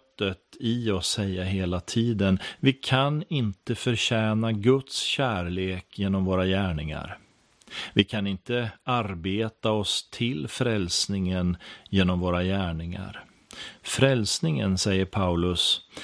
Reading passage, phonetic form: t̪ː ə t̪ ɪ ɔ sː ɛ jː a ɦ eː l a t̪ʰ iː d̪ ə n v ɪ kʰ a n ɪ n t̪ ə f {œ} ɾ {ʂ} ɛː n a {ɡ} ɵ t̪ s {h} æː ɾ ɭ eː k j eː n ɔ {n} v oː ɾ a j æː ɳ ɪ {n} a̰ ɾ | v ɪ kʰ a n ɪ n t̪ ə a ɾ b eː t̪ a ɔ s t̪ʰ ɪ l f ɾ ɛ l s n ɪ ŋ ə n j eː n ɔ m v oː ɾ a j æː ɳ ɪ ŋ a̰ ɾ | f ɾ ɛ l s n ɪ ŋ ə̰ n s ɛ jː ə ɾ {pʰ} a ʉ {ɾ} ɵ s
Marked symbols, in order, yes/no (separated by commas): yes, no, yes, no, no, no, yes, no